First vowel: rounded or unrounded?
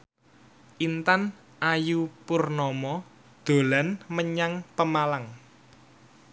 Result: unrounded